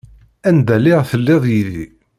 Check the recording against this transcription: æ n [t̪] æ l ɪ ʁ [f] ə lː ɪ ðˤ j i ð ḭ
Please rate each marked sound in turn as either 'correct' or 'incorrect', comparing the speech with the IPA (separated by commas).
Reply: incorrect, incorrect